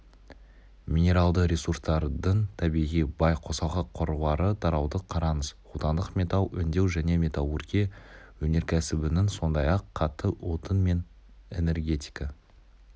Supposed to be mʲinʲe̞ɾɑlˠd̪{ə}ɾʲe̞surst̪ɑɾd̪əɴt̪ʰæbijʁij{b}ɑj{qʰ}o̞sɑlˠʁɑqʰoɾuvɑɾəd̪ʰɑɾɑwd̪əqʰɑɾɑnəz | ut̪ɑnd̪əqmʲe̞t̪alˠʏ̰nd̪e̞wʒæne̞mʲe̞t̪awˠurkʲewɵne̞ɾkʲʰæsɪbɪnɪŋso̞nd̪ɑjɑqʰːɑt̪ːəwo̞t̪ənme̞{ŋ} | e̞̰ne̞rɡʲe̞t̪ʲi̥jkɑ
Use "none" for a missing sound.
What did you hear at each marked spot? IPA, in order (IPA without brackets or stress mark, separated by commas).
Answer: ə, b, qʰ, n